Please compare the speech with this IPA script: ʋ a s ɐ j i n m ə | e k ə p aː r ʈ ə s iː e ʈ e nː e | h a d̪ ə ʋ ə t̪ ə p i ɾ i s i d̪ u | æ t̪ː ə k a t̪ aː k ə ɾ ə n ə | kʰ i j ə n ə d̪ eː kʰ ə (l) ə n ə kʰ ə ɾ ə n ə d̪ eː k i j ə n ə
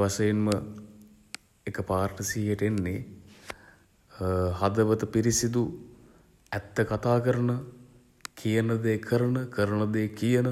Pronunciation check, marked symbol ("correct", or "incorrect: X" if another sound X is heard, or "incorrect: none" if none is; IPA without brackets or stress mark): incorrect: ɾ